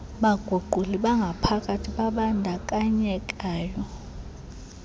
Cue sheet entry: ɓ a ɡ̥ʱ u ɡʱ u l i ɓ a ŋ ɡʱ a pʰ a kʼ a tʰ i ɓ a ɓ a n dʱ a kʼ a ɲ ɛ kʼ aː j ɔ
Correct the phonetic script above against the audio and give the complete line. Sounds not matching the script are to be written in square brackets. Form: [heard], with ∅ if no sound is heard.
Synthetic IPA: ɓ a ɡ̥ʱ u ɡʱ u l i ɓ a ŋ ɡʱ a pʰ a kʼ a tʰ i ɓ a ɓ a n dʱ a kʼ a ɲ ɛ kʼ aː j ɔ